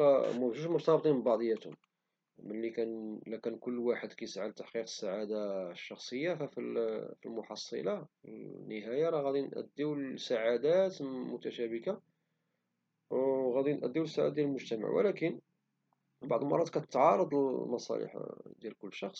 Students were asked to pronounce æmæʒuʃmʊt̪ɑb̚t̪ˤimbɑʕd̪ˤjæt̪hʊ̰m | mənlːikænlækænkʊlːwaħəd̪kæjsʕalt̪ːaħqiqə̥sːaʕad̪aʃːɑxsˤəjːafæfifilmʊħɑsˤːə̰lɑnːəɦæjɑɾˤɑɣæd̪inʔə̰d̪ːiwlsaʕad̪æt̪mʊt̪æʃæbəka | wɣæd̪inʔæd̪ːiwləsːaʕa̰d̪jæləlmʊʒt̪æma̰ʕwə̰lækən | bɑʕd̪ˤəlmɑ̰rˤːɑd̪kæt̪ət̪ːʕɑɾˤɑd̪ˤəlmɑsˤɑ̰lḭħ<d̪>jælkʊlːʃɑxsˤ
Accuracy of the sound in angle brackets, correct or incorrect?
correct